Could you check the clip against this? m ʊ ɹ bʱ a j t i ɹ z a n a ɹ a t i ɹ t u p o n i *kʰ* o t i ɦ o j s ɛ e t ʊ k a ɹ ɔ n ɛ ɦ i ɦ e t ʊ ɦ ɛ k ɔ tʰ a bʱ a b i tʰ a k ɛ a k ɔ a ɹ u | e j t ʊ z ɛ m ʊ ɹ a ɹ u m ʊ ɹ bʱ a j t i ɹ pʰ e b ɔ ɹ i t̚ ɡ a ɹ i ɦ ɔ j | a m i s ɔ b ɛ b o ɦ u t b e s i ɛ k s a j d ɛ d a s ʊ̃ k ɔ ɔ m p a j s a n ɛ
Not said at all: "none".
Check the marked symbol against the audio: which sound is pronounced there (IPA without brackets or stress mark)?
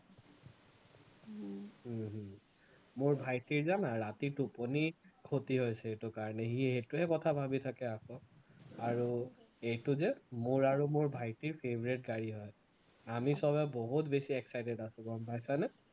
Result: kʰ